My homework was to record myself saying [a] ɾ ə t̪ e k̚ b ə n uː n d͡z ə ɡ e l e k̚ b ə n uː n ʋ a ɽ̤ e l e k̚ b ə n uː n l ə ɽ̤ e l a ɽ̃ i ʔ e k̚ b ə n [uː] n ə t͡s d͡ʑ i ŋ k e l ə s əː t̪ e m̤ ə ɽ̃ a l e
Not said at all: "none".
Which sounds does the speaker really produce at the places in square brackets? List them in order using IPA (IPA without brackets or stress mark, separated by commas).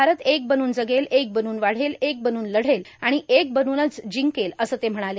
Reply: a, uː